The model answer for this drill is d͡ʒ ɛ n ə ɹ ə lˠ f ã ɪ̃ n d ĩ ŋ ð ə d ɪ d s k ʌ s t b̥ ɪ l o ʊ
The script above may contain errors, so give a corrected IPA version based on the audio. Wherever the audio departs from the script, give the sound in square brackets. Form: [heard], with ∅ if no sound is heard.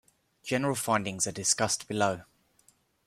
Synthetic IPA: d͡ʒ ɛ n ə ɹ ə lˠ f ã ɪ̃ n d [ɪ̃] ŋ [z] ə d ɪ [∅] s k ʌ s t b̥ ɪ l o ʊ